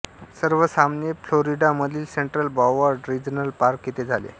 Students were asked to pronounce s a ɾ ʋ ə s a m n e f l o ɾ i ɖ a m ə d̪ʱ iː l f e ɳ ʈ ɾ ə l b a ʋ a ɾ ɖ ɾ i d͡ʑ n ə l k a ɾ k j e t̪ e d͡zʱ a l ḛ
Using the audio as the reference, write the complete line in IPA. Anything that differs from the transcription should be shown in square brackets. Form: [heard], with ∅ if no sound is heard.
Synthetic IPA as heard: s [ə] ɾ ʋ ə s a m n e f l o ɾ i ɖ a m ə d̪ʱ iː l [s] e ɳ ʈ ɾ ə l b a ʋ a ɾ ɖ ɾ i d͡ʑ n ə l [p] a ɾ k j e t̪ e d͡zʱ a l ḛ